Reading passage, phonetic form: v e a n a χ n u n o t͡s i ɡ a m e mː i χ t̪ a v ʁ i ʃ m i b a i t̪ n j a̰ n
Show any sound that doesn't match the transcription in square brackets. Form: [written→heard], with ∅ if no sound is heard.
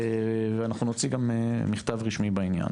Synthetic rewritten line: v e a n a χ n u n o t͡s i ɡ a m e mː i χ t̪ a v ʁ i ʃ m i b a i [t̪→∅] n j a̰ n